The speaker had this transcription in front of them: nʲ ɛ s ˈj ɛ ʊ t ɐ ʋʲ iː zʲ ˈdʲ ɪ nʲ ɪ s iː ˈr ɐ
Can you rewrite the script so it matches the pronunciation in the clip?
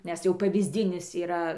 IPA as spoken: nʲ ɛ s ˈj ɛ ʊ p ɐ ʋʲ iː zʲ ˈdʲ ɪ nʲ ɪ s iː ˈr ɐ